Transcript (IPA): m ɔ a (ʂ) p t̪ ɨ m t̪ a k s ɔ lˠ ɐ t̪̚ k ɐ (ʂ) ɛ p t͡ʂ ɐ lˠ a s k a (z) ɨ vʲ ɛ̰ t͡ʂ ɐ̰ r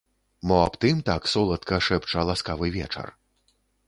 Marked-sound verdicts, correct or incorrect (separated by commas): incorrect, correct, incorrect